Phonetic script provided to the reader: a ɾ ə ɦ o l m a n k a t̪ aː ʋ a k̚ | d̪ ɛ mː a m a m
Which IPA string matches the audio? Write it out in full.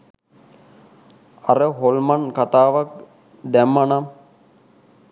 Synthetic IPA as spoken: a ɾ ə ɦ o l m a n k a t̪ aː ʋ a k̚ | d̪ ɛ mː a n a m